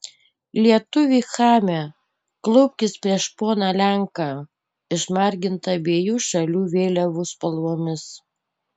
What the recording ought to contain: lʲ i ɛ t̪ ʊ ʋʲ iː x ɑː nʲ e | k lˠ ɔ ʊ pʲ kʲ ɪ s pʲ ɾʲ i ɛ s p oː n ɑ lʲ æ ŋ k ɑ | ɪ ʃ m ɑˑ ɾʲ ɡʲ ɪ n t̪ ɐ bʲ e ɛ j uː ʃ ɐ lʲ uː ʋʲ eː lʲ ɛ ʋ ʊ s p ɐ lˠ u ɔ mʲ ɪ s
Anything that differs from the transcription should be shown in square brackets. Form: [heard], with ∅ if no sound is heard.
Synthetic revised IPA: lʲ i ɛ t̪ ʊ ʋʲ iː x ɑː [mʲ] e | k lˠ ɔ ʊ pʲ kʲ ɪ s pʲ ɾʲ i ɛ [ʃ] p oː n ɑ lʲ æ ŋ k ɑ | ɪ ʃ m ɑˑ ɾʲ ɡʲ ɪ n t̪ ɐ bʲ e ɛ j uː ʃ ɐ lʲ uː ʋʲ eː lʲ ɛ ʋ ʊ s p ɐ lˠ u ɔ mʲ ɪ s

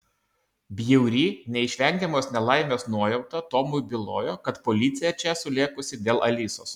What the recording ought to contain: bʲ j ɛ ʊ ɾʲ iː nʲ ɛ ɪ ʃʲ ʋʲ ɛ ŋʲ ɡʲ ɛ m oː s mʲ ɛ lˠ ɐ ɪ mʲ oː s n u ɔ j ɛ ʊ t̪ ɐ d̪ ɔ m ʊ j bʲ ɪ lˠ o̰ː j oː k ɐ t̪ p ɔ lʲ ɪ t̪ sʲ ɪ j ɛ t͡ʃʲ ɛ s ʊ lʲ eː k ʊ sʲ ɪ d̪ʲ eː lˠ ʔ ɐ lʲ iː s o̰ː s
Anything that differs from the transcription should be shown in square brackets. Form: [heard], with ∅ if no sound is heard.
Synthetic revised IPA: bʲ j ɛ ʊ ɾʲ iː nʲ ɛ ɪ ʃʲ ʋʲ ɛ ŋʲ ɡʲ ɛ m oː s [nʲ] ɛ lˠ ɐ ɪ mʲ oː s n u ɔ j ɛ ʊ t̪ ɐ [t̪] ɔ m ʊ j bʲ ɪ lˠ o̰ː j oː k ɐ t̪ p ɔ lʲ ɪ t̪ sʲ ɪ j ɛ t͡ʃʲ ɛ s ʊ lʲ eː k ʊ sʲ ɪ d̪ʲ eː lˠ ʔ ɐ lʲ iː s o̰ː s

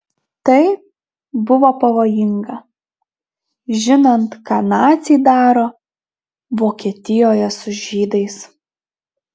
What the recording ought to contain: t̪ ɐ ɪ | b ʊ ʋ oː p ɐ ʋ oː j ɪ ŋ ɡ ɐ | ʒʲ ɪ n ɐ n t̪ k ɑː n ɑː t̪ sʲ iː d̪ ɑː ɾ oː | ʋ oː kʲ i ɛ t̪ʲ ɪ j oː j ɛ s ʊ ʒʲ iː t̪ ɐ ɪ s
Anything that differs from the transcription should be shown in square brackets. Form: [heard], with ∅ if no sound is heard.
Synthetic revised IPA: t̪ ɐ ɪ | b ʊ ʋ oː p ɐ ʋ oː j ɪ ŋ ɡ ɐ | ʒʲ ɪ n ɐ n t̪ k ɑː n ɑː t̪ sʲ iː d̪ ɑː ɾ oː | ʋ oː kʲ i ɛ t̪ʲ ɪ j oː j ɛ s ʊ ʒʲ iː [d̪] ɐ ɪ s

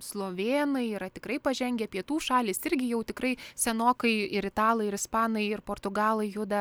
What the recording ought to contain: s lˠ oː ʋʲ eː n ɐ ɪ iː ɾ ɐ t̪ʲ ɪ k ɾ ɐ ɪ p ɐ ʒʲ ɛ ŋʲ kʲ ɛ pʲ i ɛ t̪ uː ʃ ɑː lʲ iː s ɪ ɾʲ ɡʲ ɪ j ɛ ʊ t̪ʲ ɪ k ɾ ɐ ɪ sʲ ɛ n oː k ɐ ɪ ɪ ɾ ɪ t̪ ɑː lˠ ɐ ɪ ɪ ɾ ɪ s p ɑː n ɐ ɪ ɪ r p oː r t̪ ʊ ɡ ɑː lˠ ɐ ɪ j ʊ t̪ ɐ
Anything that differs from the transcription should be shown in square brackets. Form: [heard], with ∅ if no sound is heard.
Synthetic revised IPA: s lˠ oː ʋʲ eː n ɐ ɪ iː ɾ ɐ t̪ʲ ɪ k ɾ ɐ ɪ p ɐ ʒʲ ɛ ŋʲ [ɡʲ] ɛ pʲ i ɛ t̪ uː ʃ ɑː lʲ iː s ɪ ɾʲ ɡʲ ɪ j ɛ ʊ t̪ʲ ɪ k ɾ ɐ ɪ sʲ ɛ n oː k ɐ ɪ ɪ ɾ ɪ t̪ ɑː lˠ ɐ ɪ ɪ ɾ ɪ s p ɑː n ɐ ɪ ɪ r p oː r t̪ ʊ ɡ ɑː lˠ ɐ ɪ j ʊ [d̪] ɐ

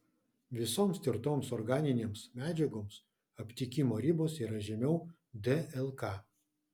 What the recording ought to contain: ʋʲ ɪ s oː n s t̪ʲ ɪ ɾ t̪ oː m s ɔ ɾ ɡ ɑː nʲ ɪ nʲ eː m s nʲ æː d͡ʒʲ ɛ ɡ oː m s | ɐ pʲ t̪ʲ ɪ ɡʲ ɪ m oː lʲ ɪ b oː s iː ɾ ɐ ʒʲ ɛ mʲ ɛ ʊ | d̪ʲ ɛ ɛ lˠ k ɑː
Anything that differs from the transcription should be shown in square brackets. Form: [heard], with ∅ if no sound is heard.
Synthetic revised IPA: ʋʲ ɪ s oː [m] s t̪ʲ ɪ ɾ t̪ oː m s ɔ ɾ ɡ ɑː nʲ ɪ nʲ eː m s [mʲ] æː d͡ʒʲ ɛ ɡ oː m s | ɐ pʲ t̪ʲ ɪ [kʲ] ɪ m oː [ɾʲ] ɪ b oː s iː ɾ ɐ ʒʲ ɛ mʲ ɛ ʊ | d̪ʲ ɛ ɛ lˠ k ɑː

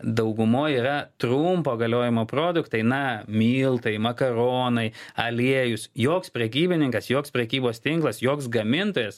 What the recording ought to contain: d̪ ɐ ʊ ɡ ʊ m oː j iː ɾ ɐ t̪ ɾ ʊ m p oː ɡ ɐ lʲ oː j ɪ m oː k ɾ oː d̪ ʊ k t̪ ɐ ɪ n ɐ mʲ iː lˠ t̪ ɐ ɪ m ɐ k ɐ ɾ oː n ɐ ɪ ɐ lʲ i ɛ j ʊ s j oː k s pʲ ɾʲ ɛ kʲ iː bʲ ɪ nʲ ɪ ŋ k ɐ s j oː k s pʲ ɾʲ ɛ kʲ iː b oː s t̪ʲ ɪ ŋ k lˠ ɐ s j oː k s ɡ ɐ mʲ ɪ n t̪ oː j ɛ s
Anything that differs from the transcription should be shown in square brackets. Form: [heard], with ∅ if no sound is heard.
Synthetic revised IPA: d̪ ɐ ʊ ɡ ʊ m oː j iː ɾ ɐ t̪ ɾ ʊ m p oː ɡ ɐ lʲ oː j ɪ m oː [p] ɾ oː d̪ ʊ k t̪ ɐ ɪ n ɐ mʲ iː lˠ t̪ ɐ ɪ m ɐ k ɐ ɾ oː n ɐ ɪ ɐ lʲ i ɛ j ʊ s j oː k s pʲ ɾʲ ɛ kʲ iː bʲ ɪ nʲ ɪ ŋ k ɐ s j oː k s pʲ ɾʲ ɛ kʲ iː b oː s t̪ʲ ɪ ŋ k lˠ ɐ s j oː k s ɡ ɐ mʲ ɪ n t̪ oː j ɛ s

